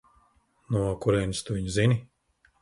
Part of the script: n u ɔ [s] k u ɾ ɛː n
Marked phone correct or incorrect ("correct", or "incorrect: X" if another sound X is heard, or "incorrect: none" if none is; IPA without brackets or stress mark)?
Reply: incorrect: none